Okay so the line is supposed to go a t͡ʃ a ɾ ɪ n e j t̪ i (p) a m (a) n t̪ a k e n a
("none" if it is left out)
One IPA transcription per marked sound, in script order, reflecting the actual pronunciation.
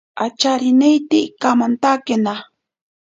k, a

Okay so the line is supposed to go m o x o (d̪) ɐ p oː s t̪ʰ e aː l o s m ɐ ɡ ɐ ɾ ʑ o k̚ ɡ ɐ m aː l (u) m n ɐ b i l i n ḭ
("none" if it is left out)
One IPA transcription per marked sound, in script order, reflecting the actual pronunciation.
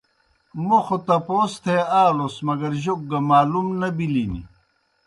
t̪, u

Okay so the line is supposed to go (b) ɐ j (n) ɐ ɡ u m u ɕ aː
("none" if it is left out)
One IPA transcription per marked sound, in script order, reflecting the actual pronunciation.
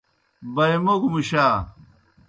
b, m

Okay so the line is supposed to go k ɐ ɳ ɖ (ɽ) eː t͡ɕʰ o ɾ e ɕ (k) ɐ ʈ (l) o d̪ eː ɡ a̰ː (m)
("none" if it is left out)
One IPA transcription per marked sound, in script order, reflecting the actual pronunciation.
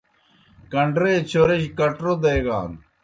ɾ, k, ɾ, n

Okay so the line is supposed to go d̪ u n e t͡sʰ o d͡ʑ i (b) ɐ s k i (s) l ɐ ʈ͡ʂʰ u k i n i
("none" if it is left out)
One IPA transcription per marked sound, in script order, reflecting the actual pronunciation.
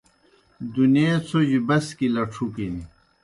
b, none

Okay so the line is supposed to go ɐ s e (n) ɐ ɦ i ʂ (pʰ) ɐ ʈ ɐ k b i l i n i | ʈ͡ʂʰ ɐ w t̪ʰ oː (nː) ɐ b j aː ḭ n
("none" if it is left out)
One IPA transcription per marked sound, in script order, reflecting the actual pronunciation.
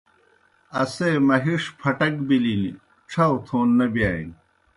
m, pʰ, nː

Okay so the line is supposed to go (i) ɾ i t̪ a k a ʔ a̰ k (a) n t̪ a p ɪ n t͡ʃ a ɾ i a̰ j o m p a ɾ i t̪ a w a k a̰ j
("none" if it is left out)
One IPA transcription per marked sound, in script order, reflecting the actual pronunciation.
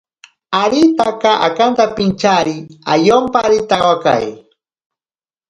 a, a

